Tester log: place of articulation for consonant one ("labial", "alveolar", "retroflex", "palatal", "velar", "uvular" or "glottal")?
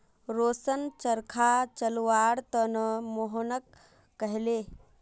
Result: alveolar